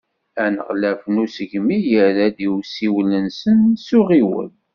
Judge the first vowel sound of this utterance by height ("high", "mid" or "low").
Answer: low